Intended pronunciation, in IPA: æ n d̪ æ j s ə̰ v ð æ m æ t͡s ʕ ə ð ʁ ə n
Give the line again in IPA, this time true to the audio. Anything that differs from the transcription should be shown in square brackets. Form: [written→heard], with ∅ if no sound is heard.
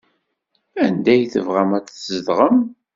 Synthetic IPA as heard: æ n d̪ æ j [s→θ] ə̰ v [ð→ʁ] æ m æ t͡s [ʕ→z] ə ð ʁ ə [n→m]